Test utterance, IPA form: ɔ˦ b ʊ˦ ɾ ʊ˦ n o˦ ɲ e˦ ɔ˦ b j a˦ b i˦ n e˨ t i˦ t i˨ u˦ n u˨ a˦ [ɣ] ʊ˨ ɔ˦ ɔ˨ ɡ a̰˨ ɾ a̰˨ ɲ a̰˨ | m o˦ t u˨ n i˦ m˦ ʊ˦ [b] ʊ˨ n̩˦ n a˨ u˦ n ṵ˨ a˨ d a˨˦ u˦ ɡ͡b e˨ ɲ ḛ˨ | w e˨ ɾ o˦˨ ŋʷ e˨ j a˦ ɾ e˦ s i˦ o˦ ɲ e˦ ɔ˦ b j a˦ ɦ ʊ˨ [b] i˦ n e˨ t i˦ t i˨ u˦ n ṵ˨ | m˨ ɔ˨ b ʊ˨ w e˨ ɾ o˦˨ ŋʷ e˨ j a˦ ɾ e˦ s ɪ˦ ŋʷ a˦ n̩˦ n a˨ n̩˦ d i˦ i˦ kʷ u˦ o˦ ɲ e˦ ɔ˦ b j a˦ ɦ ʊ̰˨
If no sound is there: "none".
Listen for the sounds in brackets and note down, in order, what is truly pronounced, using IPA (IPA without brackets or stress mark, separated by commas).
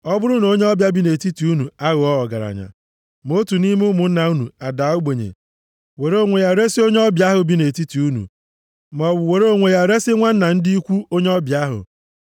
ɣ, m, b